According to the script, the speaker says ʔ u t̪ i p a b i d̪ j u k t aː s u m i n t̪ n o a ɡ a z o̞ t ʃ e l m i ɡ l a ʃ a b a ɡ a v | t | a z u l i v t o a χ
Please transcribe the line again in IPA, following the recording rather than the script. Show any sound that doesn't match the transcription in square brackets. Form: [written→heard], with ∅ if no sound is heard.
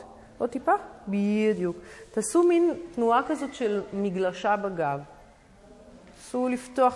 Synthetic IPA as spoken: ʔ [u→o] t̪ i p a b i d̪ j u k t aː s u m i n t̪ n [o→u] a [ɡ→k] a z o̞ t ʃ e l m i ɡ l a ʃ a b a ɡ a v | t | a [z→s] u l i [v→f] t o a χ